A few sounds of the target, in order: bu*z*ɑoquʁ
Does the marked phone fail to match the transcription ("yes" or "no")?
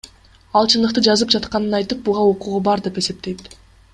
yes